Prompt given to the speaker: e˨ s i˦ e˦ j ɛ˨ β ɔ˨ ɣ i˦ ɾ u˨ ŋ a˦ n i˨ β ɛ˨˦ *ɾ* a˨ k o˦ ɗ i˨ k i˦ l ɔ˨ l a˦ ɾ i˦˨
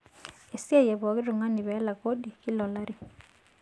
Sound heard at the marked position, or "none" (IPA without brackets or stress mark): l